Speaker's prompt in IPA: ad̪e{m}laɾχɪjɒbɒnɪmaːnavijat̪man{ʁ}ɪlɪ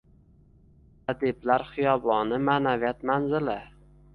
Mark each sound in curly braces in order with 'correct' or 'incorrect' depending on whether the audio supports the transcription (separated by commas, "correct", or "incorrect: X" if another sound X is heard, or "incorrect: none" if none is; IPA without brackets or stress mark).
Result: incorrect: b, incorrect: z